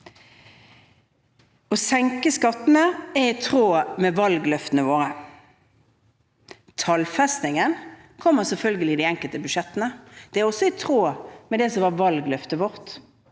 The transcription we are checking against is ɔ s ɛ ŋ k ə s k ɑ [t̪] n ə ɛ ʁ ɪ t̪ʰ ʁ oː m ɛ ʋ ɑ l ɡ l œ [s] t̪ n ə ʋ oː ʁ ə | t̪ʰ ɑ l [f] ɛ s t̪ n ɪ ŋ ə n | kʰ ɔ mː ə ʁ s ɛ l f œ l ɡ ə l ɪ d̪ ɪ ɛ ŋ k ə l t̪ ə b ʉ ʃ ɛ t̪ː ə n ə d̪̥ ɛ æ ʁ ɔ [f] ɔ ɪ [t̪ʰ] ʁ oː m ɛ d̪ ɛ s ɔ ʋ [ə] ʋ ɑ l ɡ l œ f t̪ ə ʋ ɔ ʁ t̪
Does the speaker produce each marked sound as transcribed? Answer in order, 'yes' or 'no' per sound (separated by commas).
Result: yes, no, yes, no, yes, no